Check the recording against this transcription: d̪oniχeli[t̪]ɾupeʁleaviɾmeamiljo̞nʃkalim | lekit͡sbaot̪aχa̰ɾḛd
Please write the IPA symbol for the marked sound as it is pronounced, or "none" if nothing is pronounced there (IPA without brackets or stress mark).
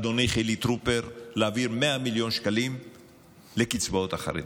t̪